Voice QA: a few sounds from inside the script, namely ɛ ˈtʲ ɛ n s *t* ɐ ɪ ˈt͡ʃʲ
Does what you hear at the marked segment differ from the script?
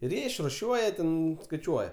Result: yes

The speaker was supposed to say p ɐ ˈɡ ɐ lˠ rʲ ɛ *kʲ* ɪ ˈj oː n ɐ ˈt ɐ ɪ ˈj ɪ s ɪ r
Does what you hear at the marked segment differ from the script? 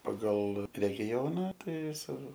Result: yes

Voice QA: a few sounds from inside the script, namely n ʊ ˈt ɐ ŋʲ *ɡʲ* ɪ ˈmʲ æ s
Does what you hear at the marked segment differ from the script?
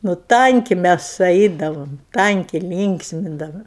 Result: yes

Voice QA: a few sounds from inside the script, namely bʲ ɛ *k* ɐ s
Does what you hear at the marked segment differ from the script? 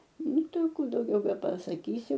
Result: yes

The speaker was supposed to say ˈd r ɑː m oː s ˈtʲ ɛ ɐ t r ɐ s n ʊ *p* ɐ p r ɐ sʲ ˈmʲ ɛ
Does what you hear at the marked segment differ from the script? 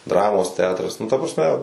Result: yes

